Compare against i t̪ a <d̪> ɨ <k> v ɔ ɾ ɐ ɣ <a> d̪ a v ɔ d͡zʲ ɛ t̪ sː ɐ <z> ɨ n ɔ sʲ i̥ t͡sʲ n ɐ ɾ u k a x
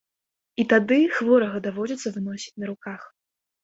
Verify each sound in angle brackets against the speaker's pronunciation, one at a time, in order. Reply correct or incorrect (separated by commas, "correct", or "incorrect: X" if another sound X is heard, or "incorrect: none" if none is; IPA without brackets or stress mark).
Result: correct, incorrect: x, incorrect: ɐ, incorrect: v